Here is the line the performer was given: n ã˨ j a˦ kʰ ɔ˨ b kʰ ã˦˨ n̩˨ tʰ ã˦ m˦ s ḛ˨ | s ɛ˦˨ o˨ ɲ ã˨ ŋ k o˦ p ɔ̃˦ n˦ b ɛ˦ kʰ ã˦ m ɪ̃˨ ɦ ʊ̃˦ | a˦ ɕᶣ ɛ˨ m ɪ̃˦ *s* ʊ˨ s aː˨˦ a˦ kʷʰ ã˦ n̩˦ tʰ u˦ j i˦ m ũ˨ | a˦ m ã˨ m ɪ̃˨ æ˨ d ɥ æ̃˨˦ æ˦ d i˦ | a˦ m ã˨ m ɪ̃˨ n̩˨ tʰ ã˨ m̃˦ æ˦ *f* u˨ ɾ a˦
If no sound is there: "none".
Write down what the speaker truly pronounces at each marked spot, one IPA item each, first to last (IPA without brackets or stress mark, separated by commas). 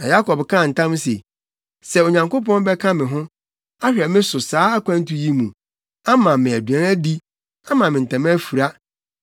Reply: s, f